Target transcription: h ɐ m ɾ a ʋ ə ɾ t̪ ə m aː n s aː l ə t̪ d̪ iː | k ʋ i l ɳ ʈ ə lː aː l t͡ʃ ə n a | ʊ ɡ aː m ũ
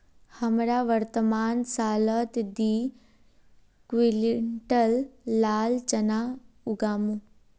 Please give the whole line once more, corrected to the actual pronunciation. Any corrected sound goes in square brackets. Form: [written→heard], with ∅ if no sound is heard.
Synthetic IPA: h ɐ m ɾ a ʋ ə ɾ t̪ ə m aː n s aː l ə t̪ d̪ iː | k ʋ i l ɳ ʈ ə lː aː l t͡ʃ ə n a | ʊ ɡ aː m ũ